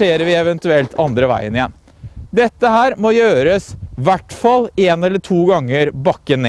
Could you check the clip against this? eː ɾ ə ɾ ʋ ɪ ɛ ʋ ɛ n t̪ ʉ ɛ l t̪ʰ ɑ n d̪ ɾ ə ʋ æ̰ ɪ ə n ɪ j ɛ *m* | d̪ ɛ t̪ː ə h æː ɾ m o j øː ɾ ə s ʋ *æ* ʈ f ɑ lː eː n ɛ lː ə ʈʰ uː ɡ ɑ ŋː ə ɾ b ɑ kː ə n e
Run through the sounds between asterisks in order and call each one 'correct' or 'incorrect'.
incorrect: n, correct

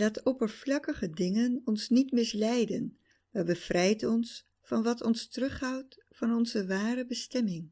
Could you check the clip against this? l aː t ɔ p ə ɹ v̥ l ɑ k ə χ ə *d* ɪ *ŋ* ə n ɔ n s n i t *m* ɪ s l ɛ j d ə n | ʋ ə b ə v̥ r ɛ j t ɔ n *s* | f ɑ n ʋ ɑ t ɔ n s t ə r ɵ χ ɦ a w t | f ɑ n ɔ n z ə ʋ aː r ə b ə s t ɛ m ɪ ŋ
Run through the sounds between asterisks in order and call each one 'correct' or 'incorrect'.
correct, correct, correct, correct

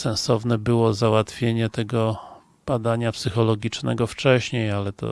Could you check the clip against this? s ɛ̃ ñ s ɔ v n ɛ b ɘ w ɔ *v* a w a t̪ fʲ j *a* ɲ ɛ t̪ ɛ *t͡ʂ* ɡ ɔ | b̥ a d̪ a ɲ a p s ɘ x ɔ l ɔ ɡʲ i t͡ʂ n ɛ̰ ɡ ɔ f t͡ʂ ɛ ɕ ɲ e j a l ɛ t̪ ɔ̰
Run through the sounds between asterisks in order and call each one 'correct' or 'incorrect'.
incorrect: z, incorrect: e, incorrect: none

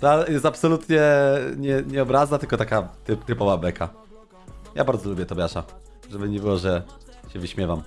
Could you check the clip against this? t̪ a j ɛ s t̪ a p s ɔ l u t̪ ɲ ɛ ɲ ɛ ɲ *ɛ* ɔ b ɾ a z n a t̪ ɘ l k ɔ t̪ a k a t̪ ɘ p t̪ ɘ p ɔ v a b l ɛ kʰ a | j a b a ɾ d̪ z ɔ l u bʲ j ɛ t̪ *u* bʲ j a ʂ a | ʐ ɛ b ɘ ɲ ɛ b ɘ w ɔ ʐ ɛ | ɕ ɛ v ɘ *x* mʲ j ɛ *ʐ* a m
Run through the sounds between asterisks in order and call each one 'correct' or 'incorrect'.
correct, incorrect: ɔ, incorrect: ɕ, incorrect: v

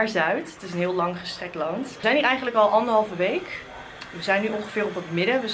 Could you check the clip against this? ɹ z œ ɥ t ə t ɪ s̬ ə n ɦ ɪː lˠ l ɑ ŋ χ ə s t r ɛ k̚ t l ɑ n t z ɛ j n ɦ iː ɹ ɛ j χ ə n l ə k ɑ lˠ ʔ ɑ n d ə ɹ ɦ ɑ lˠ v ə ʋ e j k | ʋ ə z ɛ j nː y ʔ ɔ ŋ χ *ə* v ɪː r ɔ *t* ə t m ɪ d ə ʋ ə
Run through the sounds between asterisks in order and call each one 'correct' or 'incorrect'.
correct, incorrect: p

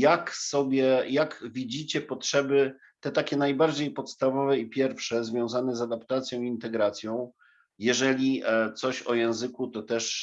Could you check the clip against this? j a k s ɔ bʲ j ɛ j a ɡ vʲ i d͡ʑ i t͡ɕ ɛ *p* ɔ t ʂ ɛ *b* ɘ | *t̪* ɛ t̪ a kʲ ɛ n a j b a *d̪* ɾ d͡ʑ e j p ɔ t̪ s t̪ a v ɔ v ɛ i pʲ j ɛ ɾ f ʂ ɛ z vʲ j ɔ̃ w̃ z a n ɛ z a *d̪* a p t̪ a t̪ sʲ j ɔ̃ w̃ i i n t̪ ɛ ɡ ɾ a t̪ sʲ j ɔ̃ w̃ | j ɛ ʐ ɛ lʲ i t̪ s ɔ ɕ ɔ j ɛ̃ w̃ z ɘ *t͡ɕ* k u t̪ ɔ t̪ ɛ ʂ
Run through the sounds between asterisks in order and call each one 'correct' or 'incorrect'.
correct, correct, correct, incorrect: none, correct, incorrect: none

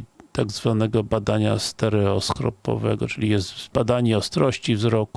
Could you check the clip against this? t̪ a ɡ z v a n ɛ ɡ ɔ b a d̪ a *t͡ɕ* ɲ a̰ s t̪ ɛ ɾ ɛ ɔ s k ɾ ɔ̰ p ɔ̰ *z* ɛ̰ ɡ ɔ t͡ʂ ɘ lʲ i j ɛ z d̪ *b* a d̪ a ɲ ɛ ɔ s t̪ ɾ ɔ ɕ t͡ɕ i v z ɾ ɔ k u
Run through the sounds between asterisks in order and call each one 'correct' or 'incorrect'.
incorrect: none, incorrect: v, correct

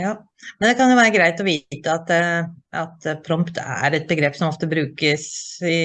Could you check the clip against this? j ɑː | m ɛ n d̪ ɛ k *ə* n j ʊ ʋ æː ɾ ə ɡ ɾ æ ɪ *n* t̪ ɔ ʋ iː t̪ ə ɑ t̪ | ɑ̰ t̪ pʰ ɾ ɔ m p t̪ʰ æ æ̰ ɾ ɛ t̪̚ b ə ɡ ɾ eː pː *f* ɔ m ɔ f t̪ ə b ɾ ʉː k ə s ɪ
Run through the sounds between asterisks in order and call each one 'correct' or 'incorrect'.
incorrect: ɑ, incorrect: none, incorrect: s

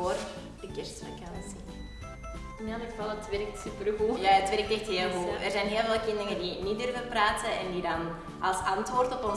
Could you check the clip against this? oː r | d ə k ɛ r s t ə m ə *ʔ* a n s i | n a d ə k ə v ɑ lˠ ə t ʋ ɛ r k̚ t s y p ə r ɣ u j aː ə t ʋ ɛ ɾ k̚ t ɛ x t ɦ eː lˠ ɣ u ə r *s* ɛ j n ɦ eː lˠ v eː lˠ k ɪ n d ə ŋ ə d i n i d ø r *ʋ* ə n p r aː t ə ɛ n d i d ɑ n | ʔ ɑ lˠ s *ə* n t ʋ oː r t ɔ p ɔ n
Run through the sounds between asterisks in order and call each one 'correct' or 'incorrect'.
incorrect: k, incorrect: z, incorrect: v, incorrect: ɑ

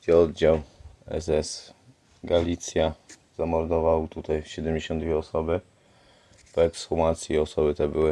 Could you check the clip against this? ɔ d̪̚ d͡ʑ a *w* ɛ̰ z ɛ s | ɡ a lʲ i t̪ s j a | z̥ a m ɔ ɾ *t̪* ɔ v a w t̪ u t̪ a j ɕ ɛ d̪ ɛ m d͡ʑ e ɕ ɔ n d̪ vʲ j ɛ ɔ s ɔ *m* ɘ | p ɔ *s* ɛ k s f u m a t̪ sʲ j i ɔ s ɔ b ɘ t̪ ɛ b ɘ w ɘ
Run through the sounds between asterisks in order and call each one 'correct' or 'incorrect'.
correct, incorrect: d̪, incorrect: b, incorrect: none

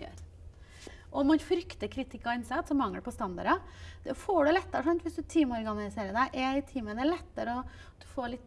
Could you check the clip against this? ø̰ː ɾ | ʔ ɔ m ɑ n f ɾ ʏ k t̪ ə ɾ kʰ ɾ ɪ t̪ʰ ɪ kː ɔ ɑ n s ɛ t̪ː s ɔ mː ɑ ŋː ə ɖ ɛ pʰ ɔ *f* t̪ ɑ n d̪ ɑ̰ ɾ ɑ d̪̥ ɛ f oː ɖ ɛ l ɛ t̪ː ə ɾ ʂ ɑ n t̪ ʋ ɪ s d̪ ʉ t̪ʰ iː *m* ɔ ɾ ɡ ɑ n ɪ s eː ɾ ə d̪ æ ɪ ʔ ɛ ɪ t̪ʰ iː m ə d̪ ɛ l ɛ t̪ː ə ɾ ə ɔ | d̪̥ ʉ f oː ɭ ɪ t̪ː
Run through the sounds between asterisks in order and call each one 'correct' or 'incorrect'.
incorrect: s, correct

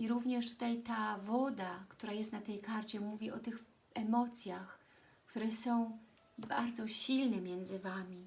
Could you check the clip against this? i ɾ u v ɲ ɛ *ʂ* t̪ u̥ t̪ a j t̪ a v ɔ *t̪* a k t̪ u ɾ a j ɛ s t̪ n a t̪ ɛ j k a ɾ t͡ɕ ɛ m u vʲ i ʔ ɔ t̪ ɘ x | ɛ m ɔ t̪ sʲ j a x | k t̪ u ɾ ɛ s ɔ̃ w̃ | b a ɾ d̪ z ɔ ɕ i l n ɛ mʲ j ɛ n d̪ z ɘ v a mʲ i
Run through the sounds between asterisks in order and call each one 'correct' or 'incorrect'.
correct, incorrect: d̪

